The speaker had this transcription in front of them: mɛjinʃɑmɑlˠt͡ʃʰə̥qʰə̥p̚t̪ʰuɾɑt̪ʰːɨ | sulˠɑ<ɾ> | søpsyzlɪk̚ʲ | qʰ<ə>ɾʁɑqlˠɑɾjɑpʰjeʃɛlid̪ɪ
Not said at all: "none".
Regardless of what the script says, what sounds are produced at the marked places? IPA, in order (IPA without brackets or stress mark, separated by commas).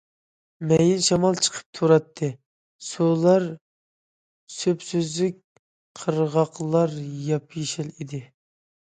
ɾ, ə